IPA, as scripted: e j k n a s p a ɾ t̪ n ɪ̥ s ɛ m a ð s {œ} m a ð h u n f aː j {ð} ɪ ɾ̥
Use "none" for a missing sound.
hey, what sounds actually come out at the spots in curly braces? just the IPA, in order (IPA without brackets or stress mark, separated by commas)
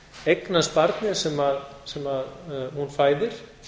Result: ɛ, ð